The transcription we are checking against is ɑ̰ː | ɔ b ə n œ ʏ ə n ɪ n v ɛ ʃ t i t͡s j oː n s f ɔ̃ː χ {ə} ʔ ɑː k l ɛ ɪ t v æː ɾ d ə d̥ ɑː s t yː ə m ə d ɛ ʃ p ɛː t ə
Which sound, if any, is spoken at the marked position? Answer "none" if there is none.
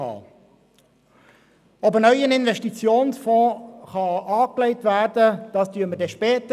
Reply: ɑ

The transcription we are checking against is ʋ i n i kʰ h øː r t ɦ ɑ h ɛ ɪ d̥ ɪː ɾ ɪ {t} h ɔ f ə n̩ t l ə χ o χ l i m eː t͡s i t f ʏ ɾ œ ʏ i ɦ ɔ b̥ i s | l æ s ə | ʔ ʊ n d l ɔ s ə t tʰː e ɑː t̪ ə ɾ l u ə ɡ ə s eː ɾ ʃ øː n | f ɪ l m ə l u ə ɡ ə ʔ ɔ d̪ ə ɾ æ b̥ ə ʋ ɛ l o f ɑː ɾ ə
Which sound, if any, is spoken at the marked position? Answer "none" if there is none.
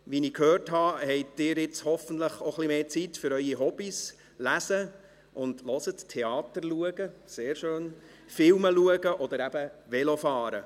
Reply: t͡s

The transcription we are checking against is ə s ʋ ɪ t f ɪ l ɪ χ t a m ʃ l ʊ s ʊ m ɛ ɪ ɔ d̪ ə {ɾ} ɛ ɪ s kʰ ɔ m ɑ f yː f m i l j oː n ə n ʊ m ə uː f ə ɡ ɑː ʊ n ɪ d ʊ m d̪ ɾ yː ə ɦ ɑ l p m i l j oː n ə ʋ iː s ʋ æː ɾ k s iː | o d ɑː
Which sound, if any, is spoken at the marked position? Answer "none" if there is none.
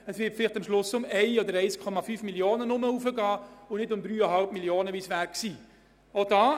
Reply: ɾ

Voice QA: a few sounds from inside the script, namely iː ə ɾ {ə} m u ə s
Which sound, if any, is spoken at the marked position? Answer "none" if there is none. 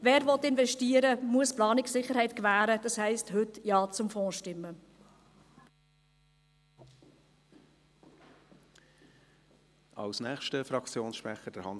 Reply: ə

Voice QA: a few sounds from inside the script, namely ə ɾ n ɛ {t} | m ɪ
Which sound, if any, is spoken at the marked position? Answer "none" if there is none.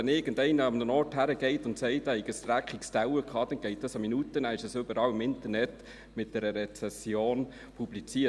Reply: t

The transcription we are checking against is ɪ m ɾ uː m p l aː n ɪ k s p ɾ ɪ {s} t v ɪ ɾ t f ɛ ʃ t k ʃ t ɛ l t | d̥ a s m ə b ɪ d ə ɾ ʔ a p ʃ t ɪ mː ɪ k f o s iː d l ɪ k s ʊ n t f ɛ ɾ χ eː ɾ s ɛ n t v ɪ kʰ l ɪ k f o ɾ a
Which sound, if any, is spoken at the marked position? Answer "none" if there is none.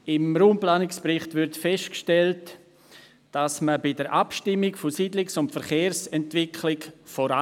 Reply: χ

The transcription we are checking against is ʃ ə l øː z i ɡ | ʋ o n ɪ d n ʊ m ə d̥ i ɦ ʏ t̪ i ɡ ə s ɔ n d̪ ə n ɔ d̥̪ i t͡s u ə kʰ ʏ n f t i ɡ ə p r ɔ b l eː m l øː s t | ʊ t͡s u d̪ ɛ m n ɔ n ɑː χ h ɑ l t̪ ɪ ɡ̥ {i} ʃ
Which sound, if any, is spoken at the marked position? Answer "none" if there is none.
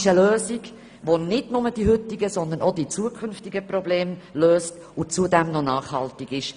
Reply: ɪ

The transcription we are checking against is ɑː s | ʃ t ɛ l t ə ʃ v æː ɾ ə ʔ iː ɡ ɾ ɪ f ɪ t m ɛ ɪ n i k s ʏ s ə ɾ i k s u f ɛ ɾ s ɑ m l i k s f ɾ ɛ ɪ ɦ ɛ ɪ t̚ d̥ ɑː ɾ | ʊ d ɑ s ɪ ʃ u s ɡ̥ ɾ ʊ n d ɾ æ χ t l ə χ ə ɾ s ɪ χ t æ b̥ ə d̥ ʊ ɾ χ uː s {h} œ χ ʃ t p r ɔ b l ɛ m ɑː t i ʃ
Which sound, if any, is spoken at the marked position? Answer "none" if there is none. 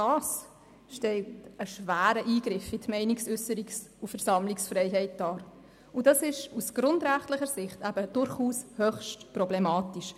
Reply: h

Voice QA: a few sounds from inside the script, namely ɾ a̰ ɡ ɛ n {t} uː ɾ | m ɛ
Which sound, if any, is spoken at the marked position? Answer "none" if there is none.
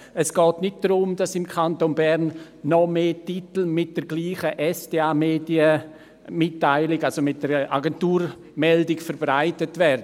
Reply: t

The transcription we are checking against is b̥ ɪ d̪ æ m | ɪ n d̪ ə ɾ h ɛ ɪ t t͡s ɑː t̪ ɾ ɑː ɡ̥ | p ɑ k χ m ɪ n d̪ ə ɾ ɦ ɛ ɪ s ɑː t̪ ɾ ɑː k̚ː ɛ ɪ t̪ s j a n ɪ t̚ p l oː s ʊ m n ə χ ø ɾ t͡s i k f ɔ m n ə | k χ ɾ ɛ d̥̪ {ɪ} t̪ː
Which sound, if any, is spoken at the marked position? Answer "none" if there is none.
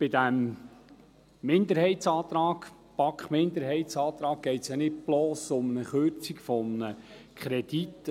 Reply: i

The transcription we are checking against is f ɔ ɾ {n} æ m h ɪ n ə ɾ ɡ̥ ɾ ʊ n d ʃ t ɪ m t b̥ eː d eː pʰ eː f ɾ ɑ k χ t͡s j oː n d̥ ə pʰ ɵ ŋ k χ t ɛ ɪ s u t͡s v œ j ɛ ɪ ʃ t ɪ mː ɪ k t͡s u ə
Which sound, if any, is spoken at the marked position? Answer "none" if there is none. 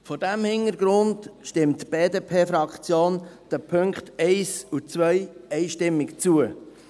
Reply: d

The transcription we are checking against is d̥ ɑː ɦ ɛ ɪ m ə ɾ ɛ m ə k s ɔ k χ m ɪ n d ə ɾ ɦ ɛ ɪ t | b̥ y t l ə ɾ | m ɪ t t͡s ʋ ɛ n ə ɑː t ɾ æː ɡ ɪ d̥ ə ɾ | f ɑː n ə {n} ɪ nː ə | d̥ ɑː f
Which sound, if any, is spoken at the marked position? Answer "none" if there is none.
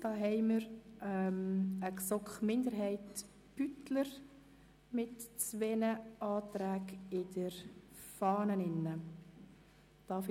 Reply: n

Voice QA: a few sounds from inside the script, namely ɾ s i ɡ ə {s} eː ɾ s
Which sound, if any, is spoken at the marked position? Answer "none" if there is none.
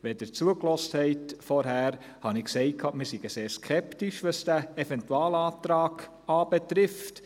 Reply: s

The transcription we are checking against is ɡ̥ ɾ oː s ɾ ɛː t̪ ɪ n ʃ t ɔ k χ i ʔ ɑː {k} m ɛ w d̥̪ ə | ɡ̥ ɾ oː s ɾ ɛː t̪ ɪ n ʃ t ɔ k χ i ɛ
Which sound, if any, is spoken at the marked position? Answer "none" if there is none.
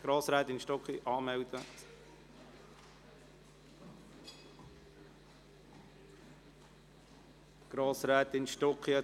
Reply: none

